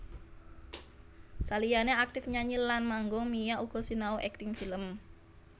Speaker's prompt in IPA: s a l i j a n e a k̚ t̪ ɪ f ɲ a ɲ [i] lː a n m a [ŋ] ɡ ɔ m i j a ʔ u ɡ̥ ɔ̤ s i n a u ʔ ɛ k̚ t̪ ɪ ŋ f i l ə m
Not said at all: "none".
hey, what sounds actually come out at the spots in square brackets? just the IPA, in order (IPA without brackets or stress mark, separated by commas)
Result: i, ŋ